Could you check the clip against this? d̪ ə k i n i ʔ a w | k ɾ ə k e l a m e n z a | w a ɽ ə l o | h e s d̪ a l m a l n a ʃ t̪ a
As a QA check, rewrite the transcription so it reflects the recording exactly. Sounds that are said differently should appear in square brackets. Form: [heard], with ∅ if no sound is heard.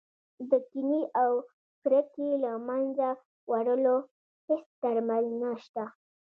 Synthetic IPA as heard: d̪ ə k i n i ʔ a w | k ɾ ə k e l a m [a] n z a | w a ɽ ə l o | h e s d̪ a [ɾ] m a l n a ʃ t̪ a